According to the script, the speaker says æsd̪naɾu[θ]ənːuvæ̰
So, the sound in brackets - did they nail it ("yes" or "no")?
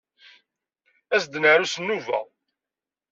no